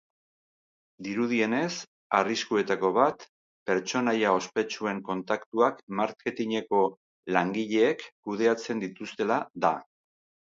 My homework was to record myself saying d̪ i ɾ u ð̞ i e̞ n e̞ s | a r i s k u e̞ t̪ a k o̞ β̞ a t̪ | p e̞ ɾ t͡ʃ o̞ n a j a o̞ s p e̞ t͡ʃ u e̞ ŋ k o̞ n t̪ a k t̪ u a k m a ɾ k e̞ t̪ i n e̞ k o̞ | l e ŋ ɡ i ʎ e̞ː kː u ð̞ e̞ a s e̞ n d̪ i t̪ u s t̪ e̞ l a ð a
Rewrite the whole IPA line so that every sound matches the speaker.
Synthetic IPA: d̪ i ɾ u ð̞ i e̞ n e̞ s | a r i s k u e̞ t̪ a k o̞ β̞ a t̪ | p e̞ ɾ t͡ʃ o̞ n a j a o̞ s p e̞ t͡ʃ u e̞ ŋ k o̞ n t̪ a k t̪ u a k m a ɾ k e̞ t̪ i ɲ e̞ k o̞ | l a ŋ ɡ i ʎ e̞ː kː u ð̞ e̞ a t͡s e̞ n d̪ i t̪ u s t̪ e̞ l a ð a